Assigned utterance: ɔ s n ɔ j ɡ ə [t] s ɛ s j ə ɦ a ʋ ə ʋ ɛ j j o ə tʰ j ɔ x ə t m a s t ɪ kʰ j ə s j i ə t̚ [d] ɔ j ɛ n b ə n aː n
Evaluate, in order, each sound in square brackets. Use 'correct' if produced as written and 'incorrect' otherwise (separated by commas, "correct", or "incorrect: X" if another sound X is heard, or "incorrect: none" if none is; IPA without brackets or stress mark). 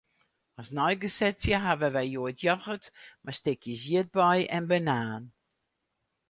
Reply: incorrect: none, incorrect: b